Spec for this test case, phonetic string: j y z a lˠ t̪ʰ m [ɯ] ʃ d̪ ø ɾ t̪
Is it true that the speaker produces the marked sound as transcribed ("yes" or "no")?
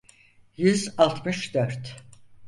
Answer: yes